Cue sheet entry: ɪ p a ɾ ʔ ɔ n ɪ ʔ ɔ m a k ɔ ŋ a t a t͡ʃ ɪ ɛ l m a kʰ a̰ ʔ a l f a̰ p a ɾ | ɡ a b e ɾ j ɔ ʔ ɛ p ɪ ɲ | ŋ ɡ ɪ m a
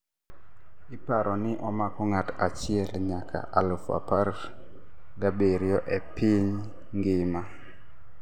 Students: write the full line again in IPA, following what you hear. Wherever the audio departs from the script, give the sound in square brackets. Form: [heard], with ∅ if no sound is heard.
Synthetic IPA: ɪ p a ɾ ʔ ɔ n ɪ ʔ ɔ m a k ɔ ŋ a t a t͡ʃ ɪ ɛ l [ɲ] a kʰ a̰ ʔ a l f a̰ p a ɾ | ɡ a b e ɾ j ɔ ʔ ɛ p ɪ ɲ | ŋ ɡ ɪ m a